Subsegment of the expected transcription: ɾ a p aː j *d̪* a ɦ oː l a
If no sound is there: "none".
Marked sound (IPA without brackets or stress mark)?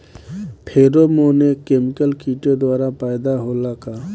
d̪